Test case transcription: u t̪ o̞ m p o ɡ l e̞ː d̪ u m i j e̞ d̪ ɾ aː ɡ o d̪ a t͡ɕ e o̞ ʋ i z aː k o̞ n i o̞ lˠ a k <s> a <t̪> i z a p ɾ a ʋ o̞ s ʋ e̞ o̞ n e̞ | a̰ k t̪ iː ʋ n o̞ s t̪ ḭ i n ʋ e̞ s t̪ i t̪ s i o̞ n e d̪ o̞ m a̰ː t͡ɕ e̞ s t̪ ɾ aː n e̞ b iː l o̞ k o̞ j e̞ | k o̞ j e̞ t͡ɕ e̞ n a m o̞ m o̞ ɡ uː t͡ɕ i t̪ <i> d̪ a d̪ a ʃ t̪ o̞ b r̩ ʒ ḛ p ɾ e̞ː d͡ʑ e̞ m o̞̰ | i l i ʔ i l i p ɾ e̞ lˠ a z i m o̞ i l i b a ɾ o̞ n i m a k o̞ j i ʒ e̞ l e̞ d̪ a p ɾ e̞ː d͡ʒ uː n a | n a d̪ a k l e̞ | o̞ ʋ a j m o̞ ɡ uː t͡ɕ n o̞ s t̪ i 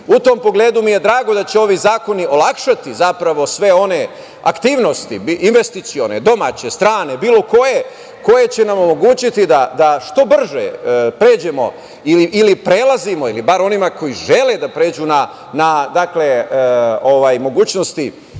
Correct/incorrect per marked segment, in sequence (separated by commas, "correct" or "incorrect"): incorrect, correct, correct